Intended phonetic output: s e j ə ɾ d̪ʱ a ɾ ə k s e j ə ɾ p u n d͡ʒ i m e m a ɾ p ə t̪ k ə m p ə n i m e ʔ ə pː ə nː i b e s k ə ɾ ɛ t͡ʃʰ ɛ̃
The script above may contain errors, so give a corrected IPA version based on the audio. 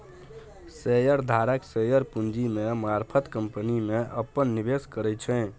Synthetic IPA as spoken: s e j ə ɾ d̪ʱ a ɾ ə k s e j ə ɾ p u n d͡ʒ i m e m a ɾ pʰ ə t̪ k ə m p ə n i m e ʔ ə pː ə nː i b e s k ə ɾ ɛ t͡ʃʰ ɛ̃